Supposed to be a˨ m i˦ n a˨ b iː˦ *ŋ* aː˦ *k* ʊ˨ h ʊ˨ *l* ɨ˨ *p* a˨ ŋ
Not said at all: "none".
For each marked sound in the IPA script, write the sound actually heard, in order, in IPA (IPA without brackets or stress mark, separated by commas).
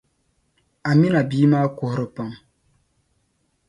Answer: m, k, ɾ, p